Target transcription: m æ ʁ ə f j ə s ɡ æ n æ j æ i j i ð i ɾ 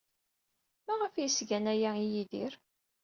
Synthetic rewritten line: m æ ʁ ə f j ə s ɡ æ n æ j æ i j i ð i ɾ